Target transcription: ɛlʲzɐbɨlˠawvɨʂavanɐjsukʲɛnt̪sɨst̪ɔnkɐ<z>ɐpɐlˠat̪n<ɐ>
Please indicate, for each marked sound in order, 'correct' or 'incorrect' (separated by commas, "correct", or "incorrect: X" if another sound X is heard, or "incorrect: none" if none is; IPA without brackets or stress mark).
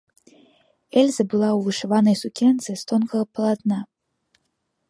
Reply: incorrect: ɣ, incorrect: a